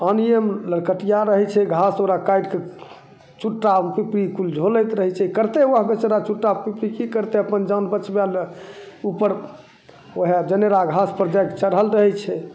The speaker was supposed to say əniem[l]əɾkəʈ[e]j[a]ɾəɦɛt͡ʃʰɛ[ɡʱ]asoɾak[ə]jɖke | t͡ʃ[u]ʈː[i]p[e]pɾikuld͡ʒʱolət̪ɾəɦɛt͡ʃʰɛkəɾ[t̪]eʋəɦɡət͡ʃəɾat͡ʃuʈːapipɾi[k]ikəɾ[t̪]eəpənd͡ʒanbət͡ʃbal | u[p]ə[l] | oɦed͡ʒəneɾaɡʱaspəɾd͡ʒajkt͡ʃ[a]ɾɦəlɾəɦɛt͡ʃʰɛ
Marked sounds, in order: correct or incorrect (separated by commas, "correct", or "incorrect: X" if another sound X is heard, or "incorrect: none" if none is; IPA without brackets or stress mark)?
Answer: correct, incorrect: i, correct, correct, incorrect: a, correct, incorrect: a, incorrect: i, correct, correct, correct, correct, incorrect: ɾ, incorrect: ə